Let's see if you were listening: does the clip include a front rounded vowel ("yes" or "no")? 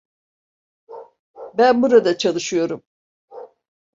no